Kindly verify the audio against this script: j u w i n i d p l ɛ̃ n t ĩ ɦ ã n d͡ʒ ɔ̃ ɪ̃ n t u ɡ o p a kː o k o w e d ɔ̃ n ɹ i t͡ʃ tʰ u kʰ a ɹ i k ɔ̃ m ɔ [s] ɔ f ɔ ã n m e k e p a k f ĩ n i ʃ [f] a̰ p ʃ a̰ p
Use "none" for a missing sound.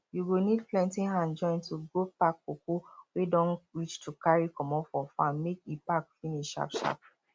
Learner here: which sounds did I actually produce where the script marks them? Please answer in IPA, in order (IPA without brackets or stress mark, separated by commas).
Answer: f, ʃ